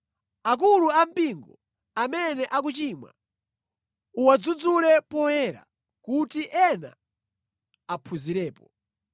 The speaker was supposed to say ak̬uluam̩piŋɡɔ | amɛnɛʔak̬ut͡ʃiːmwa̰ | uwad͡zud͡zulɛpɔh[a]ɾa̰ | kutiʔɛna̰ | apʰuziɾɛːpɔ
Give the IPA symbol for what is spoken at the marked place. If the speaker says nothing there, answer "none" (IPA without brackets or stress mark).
ɛ